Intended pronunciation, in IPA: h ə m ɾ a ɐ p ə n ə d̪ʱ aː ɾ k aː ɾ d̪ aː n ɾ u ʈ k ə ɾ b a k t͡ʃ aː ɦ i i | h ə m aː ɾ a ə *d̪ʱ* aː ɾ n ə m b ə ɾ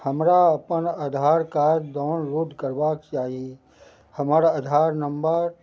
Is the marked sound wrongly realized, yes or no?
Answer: no